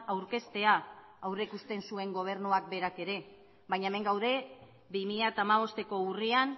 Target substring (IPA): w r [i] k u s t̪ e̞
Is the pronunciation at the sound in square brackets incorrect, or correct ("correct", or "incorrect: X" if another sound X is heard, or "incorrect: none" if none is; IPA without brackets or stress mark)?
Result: incorrect: e